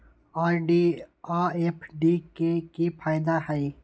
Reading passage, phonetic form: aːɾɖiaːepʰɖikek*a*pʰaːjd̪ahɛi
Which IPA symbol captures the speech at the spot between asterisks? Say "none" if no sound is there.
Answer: i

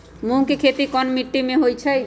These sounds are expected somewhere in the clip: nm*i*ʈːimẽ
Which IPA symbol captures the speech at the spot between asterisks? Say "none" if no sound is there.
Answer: i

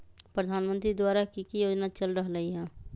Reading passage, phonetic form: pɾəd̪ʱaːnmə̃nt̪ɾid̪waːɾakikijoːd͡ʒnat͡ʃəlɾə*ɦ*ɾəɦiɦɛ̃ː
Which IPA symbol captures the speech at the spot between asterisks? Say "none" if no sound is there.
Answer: ɦ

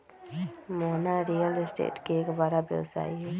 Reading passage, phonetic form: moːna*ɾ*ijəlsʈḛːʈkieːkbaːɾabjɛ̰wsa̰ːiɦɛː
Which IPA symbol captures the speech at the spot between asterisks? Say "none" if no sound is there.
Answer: ɾ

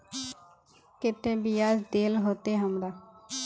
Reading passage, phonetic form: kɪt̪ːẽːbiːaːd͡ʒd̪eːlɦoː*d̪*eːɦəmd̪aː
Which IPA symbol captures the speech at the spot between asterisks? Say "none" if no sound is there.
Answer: t̪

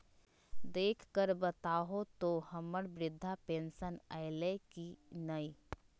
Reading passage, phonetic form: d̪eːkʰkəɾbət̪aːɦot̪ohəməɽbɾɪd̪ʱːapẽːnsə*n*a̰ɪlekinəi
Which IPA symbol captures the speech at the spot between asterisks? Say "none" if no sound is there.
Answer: n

